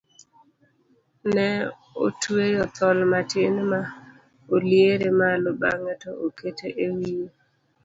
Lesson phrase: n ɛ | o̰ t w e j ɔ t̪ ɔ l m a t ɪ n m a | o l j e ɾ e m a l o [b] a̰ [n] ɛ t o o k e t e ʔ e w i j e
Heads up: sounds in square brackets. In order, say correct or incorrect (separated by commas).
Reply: correct, incorrect